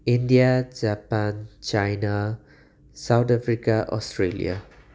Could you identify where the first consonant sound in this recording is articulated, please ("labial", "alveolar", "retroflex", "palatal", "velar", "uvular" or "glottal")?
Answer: alveolar